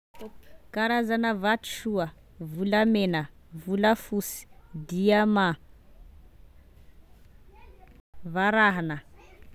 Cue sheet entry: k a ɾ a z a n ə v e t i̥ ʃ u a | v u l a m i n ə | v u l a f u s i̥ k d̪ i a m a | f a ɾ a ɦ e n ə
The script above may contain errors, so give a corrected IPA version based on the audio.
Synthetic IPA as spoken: k a ɾ a z a n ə v a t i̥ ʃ u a | v u l a m e n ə | v u l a f u s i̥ d̪ i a m a | v a ɾ a ɦ a n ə

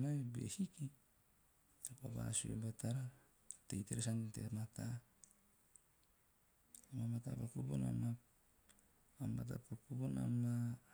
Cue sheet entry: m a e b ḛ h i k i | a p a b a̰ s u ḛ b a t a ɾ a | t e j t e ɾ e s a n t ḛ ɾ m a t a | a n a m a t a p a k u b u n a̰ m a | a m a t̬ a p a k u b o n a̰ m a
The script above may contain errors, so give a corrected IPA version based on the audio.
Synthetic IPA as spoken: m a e b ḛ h i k i | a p a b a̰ s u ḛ b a t a ɾ a | t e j t e ɾ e s a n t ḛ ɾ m a t a | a m a m a t a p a k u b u n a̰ m a | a m a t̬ a p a k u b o n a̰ m a

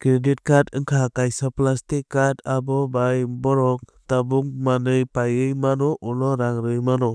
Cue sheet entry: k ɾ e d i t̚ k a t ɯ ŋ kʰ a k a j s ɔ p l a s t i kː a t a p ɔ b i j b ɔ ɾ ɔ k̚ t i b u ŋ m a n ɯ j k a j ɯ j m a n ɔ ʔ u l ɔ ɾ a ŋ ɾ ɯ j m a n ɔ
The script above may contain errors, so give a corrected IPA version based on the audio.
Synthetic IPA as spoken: k ɾ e d i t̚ k a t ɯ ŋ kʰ a k a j s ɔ p l a s t i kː a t a b ɔ b a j b ɔ ɾ ɔ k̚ t a b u ŋ m a n ɯ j p a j ɯ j m a n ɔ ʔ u l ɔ ɾ a ŋ ɾ ɯ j m a n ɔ

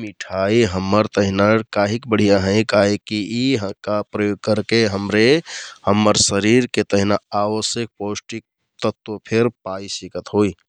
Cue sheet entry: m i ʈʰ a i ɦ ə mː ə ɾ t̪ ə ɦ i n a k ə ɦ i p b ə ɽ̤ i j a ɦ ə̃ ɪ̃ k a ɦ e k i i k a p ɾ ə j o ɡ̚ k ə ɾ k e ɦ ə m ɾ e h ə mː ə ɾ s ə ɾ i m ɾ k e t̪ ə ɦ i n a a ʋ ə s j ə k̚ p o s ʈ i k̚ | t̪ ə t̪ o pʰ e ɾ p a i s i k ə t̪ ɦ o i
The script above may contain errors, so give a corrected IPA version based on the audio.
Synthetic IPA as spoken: m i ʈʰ a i ɦ ə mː ə ɾ t̪ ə ɦ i n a k a ɦ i k b ə ɽ̤ i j a ɦ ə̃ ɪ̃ k a ɦ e k i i k a p ɾ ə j o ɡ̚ k ə ɾ k e ɦ ə m ɾ e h ə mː ə ɾ s ə ɾ i ɾ k e t̪ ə ɦ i n a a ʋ ə s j ə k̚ p o s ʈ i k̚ | t̪ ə t̪ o pʰ e ɾ p a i s i k ə t̪ ɦ o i

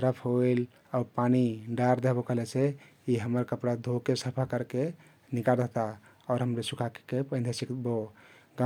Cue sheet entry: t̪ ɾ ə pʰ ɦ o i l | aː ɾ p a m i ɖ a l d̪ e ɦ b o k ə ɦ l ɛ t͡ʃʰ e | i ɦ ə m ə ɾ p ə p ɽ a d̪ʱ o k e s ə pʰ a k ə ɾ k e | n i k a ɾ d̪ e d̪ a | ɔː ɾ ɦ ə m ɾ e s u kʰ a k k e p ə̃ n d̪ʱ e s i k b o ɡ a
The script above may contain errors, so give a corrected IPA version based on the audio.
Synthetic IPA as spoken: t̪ ɾ ə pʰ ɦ o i l | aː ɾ p a n i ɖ a ɾ d̪ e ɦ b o k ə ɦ l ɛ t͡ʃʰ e | i ɦ ə m ə ɾ k ə p ɽ a d̪ʱ o k e s ə pʰ a k ə ɾ k e | n i k a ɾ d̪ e t̪ a | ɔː ɾ ɦ ə m ɾ e s u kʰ a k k e p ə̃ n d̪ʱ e s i k b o ɡ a

